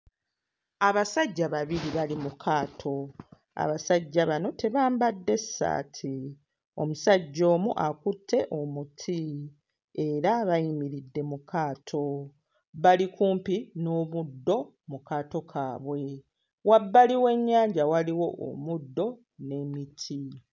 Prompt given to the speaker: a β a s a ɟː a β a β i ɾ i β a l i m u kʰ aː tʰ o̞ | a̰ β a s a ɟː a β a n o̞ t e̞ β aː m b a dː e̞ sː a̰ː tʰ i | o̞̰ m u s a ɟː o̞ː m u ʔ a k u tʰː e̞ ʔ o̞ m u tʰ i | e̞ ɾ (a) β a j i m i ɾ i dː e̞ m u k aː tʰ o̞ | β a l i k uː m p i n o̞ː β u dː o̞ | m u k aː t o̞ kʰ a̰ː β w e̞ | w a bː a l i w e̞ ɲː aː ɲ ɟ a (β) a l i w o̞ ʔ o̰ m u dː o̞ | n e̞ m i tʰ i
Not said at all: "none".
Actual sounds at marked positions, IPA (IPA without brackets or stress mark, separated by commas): a, w